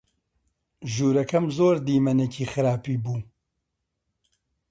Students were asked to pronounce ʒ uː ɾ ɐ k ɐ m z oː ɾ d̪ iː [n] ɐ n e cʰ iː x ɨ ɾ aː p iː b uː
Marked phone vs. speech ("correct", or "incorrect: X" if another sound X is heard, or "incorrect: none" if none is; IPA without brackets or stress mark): incorrect: m